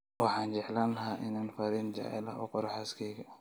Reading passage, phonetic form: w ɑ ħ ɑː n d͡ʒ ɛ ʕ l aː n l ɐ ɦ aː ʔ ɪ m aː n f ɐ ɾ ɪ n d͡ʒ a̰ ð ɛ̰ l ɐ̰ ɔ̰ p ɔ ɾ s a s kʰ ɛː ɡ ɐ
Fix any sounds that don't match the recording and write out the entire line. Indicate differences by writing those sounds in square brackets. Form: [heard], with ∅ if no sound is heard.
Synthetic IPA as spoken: w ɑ ħ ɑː n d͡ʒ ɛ ʕ l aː n l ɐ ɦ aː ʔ ɪ [n] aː n f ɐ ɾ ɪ n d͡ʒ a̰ [ʕ] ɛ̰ l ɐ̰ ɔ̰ [q] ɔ ɾ [ħ] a s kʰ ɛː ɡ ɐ